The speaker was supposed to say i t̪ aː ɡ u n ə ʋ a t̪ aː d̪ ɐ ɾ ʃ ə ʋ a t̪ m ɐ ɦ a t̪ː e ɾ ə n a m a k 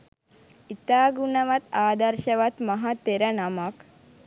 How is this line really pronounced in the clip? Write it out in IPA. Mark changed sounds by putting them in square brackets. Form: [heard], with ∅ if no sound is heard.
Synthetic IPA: i t̪ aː ɡ u n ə ʋ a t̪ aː d̪ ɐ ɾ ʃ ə ʋ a t̪ m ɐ ɦ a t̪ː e ɾ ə n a m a k